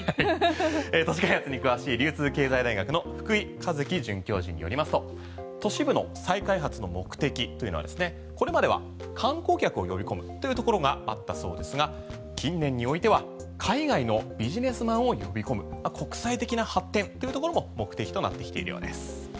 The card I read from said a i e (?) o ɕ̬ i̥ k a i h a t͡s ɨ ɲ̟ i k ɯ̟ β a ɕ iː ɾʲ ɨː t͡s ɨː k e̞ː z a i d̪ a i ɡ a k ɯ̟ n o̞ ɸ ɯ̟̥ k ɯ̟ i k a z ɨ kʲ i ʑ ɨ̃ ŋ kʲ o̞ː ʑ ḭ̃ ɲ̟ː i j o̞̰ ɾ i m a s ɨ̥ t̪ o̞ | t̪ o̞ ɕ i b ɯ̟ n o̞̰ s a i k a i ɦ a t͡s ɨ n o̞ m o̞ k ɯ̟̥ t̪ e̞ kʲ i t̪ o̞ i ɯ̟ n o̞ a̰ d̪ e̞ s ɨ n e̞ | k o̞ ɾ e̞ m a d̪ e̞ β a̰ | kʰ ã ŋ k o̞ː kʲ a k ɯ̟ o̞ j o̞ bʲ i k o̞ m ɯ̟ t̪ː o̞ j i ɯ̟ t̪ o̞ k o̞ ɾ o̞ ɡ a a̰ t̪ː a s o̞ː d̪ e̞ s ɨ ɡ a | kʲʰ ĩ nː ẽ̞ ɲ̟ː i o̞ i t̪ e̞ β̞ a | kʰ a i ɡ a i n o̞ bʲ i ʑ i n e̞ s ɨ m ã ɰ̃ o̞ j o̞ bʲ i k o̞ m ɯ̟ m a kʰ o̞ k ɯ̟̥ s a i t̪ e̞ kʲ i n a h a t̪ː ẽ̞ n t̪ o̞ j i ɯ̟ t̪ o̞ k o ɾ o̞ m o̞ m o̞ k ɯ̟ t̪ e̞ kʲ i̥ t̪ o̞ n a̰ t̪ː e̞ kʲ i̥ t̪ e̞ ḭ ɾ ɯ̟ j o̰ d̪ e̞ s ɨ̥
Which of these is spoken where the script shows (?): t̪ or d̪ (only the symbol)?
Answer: t̪